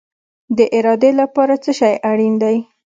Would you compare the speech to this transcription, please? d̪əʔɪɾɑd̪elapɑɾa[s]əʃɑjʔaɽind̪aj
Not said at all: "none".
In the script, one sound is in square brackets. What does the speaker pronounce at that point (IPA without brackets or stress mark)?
t͡s